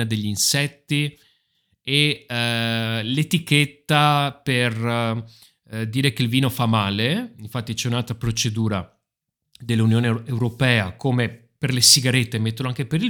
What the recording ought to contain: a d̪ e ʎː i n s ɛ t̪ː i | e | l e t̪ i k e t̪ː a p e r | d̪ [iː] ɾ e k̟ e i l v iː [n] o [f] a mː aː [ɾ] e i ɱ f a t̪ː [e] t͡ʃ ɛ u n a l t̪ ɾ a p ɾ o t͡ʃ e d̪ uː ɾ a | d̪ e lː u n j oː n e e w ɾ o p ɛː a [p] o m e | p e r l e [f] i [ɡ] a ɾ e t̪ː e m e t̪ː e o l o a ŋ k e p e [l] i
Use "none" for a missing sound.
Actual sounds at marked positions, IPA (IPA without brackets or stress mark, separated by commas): iː, n, f, l, i, k, s, ɡ, ɾ